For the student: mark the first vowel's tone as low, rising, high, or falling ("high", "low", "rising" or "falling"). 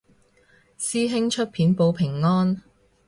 high